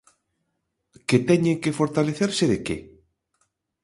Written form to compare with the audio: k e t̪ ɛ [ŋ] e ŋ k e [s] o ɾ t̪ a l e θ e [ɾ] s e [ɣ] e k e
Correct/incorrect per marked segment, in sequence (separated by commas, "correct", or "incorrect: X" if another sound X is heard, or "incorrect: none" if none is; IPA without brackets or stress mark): incorrect: ɲ, incorrect: f, correct, incorrect: ð